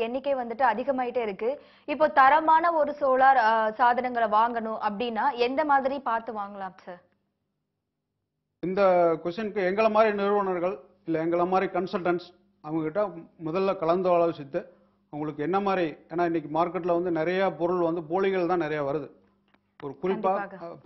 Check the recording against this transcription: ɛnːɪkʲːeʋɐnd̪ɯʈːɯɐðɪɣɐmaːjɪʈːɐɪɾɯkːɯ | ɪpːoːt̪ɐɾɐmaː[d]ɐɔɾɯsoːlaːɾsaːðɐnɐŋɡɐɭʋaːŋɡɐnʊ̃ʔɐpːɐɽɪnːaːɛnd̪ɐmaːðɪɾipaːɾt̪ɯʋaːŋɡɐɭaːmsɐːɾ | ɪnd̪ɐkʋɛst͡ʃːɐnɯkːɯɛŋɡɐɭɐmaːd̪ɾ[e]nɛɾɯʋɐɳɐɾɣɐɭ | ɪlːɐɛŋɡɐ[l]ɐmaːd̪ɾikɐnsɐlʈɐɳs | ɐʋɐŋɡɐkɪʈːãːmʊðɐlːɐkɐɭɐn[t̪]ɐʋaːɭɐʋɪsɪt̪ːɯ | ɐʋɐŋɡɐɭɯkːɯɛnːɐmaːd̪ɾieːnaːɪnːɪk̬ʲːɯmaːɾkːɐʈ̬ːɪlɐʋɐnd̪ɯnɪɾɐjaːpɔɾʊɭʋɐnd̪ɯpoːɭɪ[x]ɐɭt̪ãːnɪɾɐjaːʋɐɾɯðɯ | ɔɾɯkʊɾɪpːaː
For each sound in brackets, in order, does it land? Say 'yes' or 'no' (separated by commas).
no, no, no, no, no